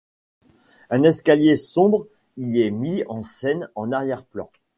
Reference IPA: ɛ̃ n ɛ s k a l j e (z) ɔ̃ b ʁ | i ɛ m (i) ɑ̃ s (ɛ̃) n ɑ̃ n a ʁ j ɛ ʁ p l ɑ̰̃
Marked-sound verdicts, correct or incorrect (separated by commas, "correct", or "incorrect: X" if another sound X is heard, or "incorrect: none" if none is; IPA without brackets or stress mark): incorrect: s, correct, incorrect: ɛ